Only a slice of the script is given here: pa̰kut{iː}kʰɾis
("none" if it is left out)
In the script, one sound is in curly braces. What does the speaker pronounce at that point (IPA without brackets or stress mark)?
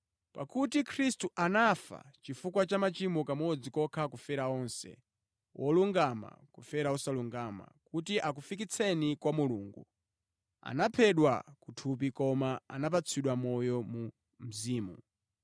i